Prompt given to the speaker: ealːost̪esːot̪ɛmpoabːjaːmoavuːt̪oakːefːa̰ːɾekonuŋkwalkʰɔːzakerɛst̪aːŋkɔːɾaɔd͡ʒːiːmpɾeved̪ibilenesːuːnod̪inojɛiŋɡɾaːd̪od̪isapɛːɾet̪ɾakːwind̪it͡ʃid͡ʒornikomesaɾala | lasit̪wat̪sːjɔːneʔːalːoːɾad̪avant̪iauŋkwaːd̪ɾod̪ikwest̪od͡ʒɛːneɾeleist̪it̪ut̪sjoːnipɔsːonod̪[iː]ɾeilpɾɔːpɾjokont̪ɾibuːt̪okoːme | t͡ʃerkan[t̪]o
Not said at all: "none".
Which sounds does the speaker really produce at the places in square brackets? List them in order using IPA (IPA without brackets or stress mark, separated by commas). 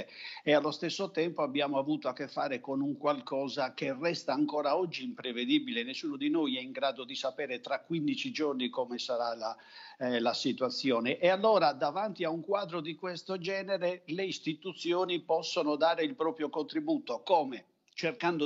aː, d̪